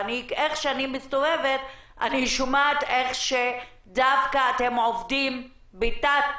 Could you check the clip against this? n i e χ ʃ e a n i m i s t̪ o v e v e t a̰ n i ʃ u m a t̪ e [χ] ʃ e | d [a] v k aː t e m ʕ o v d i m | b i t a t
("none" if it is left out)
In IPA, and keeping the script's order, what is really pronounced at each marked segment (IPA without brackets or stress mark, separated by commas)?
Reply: χ, a